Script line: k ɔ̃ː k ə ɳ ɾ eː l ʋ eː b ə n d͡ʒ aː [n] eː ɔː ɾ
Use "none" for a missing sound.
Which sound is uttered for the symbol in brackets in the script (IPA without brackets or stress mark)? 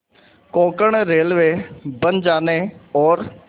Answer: n